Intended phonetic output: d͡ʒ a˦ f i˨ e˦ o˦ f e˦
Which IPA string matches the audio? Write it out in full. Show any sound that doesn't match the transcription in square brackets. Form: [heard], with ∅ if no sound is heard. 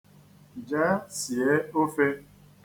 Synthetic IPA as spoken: d͡ʒ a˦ [s] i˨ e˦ o˦ f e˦

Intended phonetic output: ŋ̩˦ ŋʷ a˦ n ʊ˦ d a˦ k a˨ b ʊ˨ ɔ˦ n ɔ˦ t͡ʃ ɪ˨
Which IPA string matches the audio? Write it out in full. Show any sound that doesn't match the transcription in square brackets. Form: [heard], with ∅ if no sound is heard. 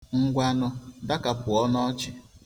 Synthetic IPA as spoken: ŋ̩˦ [ɡʷ] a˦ n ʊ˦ d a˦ k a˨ [p] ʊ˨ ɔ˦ n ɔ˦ t͡ʃ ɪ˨

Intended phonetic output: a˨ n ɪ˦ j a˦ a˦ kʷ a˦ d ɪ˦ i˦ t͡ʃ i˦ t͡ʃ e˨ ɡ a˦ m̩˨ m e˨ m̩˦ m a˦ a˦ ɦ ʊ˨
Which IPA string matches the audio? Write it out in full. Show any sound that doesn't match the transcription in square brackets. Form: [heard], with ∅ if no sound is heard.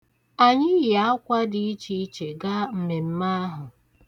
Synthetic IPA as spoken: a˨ [ɲ] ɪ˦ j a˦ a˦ kʷ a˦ d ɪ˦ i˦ t͡ʃ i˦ t͡ʃ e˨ ɡ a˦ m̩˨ m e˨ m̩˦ m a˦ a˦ ɦ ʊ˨

